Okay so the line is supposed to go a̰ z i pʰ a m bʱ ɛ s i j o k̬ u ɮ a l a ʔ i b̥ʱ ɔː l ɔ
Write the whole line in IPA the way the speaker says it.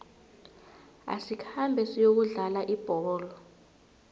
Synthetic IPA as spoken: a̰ s i kʰ a m bʱ ɛ s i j o k̬ u ɮ a l a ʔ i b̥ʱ ɔː l ɔ

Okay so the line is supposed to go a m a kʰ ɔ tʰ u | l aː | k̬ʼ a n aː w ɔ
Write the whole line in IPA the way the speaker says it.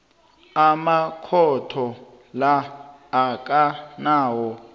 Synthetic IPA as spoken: a m a kʰ ɔ tʰ ɔ | l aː | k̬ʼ a n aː w ɔ

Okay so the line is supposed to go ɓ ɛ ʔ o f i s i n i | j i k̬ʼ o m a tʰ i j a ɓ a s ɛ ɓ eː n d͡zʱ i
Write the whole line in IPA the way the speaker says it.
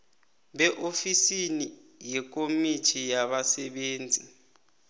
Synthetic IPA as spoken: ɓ ɛ ʔ o f i s i n i | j ɛ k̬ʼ o m i tʰ i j a ɓ a s ɛ ɓ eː n d͡zʱ i

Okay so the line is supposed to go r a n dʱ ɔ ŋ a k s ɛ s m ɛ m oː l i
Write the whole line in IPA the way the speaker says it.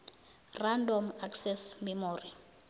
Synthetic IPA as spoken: r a n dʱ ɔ m a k s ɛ s m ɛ m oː r i

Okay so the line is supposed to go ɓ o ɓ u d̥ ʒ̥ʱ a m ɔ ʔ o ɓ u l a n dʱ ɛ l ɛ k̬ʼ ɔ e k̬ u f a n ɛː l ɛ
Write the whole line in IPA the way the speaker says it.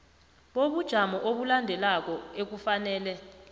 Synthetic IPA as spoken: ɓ o ɓ u d̥ ʒ̥ʱ a m ɔ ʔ o ɓ u l a n dʱ ɛ l a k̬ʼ ɔ e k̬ u f a n ɛː l ɛ

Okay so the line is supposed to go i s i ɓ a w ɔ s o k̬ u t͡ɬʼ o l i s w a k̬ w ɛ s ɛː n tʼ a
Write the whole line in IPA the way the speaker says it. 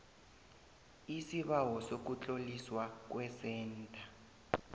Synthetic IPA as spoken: i s i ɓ a w ɔ s o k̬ u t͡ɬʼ o l i s w a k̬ w ɛ s ɛː n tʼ a

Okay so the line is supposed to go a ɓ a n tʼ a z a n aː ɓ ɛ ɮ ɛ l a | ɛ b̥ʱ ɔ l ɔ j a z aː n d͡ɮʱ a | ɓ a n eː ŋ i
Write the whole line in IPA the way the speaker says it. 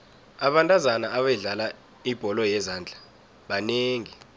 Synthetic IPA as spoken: a ɓ a n tʼ a z a n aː ɓ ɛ ɮ a l a | i b̥ʱ ɔ l ɔ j ɛ z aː n d͡ɮʱ a | ɓ a n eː ŋ i

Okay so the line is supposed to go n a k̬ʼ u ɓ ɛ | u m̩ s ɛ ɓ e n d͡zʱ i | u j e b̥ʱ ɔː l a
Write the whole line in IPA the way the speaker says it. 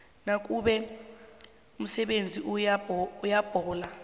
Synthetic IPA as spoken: n a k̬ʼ u ɓ ɛ | u m̩ s ɛ ɓ e n d͡zʱ i | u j a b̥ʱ ɔː l a

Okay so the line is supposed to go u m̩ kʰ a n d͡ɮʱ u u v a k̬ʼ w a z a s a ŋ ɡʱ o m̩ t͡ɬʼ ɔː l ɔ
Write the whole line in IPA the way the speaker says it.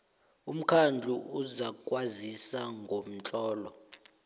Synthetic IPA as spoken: u m̩ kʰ a n d͡ɮʱ u u z a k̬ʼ w a z i s a ŋ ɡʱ o m̩ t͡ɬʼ ɔː l ɔ

